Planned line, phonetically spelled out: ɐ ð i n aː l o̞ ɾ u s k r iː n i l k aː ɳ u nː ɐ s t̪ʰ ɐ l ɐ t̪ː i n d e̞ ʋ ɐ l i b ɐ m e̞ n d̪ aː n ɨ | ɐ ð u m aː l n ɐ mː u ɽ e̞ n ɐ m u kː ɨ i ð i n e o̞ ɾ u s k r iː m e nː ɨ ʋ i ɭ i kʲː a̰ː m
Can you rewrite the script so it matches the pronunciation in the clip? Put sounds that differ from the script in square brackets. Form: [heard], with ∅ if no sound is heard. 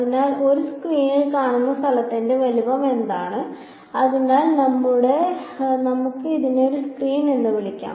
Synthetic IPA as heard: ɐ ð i n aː l o̞ ɾ u s k r iː n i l k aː ɳ u nː ɐ s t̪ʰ ɐ l ɐ t̪ː i n d e̞ ʋ ɐ l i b ɐ m e̞ n d̪ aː [ɳ] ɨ | ɐ ð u [n] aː l n ɐ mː u ɽ e̞ n ɐ m u kː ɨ i ð i n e o̞ ɾ u s k r iː [n] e nː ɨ ʋ i ɭ i kʲː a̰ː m